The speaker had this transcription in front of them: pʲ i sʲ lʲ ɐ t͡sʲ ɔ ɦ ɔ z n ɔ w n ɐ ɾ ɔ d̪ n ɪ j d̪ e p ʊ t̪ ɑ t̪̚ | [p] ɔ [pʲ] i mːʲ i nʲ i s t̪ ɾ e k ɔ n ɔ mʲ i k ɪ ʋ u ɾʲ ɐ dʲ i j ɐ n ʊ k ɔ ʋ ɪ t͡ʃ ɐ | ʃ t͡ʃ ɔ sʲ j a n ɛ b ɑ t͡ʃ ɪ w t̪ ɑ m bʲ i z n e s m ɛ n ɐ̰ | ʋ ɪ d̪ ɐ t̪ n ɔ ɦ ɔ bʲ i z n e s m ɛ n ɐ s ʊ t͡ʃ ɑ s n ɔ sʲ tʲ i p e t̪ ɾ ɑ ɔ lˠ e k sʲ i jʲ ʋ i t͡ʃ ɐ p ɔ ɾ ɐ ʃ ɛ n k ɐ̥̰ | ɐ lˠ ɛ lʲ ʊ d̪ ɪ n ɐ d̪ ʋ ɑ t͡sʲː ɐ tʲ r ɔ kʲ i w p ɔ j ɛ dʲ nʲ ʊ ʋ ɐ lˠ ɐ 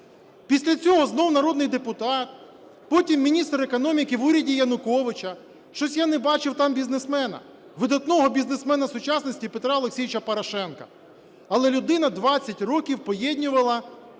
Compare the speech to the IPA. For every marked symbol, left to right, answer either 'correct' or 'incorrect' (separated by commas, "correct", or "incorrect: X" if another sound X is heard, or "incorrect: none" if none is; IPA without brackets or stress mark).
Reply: correct, incorrect: tʲ